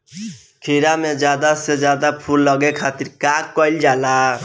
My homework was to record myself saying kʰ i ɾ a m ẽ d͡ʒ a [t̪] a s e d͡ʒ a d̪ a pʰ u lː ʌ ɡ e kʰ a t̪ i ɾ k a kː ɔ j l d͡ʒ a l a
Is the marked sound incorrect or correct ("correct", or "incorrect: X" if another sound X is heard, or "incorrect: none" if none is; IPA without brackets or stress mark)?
incorrect: d̪